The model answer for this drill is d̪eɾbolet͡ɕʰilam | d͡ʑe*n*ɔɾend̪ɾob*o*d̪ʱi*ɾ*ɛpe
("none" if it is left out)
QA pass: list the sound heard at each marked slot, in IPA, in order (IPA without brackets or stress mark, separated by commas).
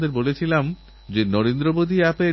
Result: n, o, none